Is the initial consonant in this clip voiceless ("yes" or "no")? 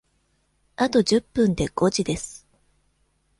yes